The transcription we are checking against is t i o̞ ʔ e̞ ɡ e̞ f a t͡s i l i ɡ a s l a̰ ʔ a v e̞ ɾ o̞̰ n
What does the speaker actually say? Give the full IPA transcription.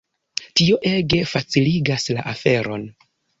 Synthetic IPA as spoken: t i o̞ ʔ e̞ ɡ e̞ f a t͡s i l i ɡ a s l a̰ ʔ a f e̞ ɾ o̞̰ n